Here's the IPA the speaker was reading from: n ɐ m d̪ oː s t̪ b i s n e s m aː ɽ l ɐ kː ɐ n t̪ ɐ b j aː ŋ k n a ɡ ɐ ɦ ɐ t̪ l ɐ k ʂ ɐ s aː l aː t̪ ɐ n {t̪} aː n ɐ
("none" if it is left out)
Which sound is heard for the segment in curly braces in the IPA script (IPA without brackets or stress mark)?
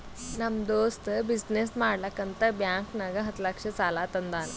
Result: d̪